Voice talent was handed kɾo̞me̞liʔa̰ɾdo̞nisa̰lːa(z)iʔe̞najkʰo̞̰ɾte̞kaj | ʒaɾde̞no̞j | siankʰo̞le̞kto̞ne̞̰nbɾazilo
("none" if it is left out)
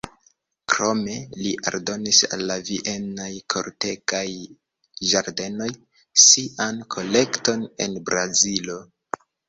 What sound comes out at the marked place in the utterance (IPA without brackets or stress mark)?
v